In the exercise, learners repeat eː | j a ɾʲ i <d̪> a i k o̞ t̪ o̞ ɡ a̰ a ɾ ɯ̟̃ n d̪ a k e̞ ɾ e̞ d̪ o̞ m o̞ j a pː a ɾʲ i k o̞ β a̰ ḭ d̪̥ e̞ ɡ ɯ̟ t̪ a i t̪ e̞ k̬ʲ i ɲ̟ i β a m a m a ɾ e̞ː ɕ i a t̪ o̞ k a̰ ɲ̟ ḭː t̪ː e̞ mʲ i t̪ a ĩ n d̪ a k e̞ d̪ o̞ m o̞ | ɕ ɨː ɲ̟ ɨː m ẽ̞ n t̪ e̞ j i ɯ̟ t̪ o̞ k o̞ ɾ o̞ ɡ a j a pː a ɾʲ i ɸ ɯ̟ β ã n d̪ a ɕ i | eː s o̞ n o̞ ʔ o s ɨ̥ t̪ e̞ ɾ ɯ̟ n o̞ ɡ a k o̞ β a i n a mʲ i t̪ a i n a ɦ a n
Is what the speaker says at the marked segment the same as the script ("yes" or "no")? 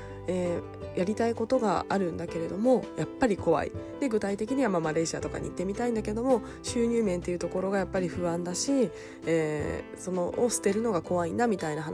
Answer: no